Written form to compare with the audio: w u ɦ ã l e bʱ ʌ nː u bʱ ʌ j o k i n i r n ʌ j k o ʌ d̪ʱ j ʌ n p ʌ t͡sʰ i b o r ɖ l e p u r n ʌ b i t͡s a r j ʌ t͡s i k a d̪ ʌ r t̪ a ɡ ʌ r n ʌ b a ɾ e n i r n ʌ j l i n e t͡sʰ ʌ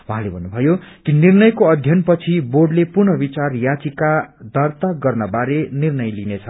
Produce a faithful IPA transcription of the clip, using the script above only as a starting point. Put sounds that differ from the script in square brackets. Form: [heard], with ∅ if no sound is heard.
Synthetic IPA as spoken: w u ɦ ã l e bʱ ʌ nː u bʱ ʌ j o k i n i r n ʌ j k o ʌ d̪ʱ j ʌ n p ʌ t͡sʰ i b o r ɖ l e p u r n ʌ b i t͡s a r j [a] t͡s i k a d̪ ʌ r t̪ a ɡ ʌ r n ʌ b a ɾ e n i r n ʌ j l i n e t͡sʰ ʌ